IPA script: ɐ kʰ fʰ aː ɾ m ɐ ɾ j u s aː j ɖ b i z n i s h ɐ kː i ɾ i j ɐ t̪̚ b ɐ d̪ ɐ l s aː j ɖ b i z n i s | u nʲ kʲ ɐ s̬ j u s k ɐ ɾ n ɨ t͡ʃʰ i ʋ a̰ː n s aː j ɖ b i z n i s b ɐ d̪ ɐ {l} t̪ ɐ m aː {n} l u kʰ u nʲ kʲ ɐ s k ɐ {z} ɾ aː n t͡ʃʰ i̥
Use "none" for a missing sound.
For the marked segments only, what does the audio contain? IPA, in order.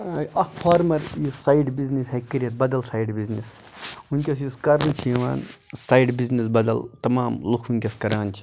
l, m, none

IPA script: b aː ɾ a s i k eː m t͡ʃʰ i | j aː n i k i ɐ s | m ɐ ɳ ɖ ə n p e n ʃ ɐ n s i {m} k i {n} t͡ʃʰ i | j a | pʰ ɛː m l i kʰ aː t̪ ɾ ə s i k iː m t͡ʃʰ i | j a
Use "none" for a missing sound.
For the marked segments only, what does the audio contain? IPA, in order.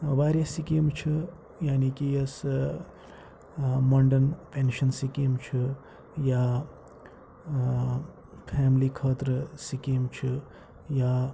none, m

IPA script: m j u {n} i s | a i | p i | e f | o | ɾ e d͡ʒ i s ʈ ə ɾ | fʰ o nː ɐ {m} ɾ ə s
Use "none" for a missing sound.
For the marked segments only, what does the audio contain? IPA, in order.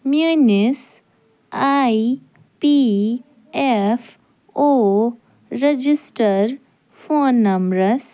n, m

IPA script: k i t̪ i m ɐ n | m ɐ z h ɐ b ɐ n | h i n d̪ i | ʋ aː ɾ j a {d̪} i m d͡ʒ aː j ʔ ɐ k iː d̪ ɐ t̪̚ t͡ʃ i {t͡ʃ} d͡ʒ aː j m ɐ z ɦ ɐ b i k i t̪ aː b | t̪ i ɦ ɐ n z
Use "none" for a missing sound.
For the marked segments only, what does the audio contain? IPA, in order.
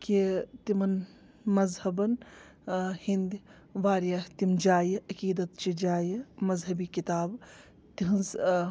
t̪, none

